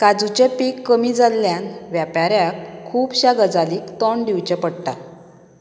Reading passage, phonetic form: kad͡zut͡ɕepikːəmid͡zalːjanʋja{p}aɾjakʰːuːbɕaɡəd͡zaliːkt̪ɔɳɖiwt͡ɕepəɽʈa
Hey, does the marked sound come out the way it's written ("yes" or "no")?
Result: yes